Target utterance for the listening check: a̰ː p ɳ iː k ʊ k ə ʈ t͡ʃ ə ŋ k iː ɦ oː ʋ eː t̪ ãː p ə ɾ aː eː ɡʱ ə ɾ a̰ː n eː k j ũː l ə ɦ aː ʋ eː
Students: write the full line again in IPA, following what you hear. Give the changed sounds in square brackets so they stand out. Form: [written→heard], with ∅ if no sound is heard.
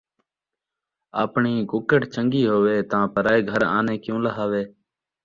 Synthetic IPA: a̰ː p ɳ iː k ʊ k ə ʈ t͡ʃ ə ŋ [k→ɡ] iː ɦ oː ʋ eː t̪ ãː p ə ɾ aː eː ɡʱ ə ɾ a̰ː n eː k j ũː l ə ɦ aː ʋ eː